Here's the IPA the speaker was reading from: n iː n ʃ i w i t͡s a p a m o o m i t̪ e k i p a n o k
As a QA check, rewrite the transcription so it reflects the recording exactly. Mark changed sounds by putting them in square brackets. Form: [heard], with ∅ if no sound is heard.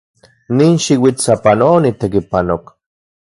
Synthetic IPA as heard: n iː n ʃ i w i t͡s a p a [n] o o [n] i t̪ e k i p a n o k